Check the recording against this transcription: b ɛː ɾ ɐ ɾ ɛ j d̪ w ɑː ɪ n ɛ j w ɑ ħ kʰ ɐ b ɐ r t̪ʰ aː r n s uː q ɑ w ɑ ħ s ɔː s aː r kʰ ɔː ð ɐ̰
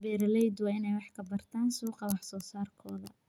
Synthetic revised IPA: b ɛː ɾ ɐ l ɛ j d̪ w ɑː ɪ n ɛ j w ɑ ħ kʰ ɐ b ɐ r t̪ʰ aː n s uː q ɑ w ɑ ħ s ɔː s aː r kʰ ɔː ð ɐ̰